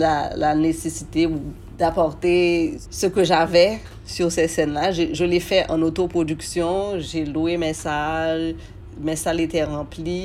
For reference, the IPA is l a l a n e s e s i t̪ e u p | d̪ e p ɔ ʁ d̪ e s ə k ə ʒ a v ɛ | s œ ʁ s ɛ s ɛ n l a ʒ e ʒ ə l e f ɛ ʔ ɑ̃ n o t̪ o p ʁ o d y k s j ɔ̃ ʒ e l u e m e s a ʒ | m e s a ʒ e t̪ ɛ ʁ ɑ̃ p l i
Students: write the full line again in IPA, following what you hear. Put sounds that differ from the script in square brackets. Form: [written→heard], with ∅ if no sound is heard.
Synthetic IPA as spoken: l a l a n e s e s i t̪ e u [p→∅] | d̪ [e→a] p ɔ ʁ [d̪→t̪] e s ə k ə ʒ a v ɛ | s [œ→y] ʁ s ɛ s ɛ n l a ʒ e ʒ ə l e f ɛ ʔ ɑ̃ n o t̪ o p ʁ o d y k s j ɔ̃ ʒ e l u e m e s a ʒ | m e s a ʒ e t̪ ɛ ʁ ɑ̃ p l i